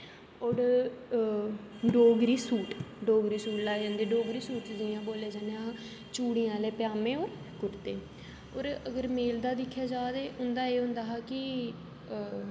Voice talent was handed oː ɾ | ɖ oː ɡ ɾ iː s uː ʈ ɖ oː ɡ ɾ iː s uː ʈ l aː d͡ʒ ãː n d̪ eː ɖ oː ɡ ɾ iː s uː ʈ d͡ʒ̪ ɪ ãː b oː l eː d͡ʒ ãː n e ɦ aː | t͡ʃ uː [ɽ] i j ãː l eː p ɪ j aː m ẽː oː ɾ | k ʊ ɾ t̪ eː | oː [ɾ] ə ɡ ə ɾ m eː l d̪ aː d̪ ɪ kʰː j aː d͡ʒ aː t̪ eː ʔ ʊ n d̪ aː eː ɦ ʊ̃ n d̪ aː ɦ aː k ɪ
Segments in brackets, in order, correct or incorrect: correct, correct

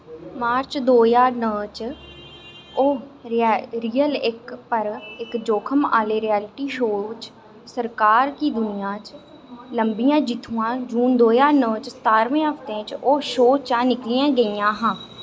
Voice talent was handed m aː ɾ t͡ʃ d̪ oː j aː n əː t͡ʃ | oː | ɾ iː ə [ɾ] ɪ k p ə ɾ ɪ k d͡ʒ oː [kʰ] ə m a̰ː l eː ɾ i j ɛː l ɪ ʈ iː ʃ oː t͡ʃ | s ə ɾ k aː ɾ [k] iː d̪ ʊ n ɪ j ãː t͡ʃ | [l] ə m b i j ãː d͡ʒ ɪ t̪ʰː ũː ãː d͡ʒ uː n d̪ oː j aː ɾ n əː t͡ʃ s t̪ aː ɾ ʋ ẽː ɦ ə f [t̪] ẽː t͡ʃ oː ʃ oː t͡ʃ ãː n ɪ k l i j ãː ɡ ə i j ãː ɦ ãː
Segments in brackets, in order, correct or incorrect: incorrect: l, correct, correct, correct, correct

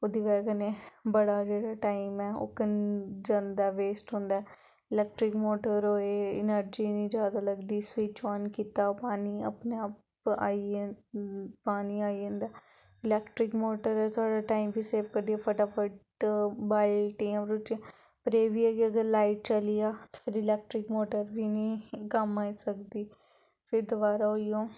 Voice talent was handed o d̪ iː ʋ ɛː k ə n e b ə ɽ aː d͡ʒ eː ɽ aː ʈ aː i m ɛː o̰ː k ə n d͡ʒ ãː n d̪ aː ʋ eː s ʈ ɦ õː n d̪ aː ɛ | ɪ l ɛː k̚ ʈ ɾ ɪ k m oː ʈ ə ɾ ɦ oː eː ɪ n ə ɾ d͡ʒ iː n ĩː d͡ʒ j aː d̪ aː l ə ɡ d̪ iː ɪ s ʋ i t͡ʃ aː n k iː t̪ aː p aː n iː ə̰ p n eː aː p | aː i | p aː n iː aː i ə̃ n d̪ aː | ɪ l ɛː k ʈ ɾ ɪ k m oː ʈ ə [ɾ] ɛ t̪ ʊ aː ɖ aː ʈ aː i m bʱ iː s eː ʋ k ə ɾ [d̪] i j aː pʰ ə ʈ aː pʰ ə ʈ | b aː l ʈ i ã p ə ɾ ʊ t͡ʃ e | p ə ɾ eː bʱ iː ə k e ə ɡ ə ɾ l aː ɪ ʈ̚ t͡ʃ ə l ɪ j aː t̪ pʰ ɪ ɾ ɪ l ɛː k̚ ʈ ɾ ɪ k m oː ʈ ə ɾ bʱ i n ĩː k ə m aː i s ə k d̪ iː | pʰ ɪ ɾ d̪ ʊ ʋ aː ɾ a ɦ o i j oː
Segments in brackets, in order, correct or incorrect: correct, correct

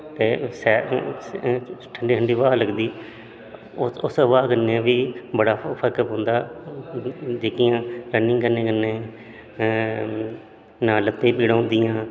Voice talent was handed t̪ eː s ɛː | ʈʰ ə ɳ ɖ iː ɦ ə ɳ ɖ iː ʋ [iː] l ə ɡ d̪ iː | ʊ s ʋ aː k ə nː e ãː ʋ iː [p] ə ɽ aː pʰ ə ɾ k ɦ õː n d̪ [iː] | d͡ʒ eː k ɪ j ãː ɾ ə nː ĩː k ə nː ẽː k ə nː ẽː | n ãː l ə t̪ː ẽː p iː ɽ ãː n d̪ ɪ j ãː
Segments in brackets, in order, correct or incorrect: incorrect: aː, incorrect: b, incorrect: aː

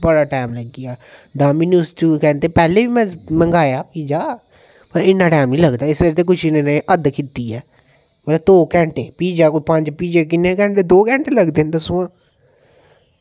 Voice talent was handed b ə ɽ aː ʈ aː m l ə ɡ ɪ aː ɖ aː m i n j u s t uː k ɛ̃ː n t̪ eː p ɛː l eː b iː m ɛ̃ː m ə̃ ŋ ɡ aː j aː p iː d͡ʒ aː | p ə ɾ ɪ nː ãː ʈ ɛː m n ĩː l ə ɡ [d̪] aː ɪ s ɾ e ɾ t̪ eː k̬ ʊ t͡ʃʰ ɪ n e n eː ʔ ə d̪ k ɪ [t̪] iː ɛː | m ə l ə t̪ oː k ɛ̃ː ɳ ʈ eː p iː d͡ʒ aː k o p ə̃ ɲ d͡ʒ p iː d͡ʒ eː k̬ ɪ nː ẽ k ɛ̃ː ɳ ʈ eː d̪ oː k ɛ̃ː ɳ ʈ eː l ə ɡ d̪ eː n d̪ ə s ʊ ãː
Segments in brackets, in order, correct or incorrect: correct, correct

